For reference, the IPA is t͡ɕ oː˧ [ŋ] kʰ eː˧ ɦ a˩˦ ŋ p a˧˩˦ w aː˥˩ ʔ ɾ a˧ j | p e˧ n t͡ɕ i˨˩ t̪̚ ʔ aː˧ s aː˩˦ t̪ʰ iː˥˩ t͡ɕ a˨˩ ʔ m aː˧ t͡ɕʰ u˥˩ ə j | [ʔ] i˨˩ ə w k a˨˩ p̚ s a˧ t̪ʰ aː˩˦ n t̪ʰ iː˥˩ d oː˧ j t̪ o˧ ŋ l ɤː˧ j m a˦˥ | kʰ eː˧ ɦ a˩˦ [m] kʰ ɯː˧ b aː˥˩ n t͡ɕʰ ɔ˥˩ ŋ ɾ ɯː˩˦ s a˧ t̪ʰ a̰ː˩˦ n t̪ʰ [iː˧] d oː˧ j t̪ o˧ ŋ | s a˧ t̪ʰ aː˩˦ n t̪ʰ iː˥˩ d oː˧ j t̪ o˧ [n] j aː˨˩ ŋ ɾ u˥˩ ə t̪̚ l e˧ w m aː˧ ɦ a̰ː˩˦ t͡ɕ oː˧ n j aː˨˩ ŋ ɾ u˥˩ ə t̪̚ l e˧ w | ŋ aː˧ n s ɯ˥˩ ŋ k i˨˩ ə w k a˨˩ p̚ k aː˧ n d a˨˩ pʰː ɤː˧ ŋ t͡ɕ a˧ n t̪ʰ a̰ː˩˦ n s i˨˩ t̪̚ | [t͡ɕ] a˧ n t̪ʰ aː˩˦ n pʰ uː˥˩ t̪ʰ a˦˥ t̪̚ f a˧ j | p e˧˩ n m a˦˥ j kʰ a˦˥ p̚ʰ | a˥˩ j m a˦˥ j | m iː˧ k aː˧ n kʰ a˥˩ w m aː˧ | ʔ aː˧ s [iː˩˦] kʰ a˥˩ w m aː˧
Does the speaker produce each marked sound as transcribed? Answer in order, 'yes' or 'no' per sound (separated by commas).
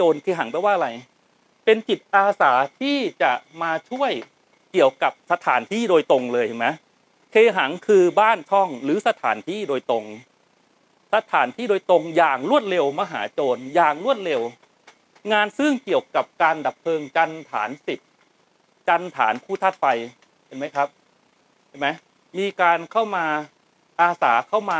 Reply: no, no, no, no, no, yes, no